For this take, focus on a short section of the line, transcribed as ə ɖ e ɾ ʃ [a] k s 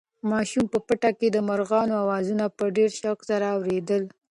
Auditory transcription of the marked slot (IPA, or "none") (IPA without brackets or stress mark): a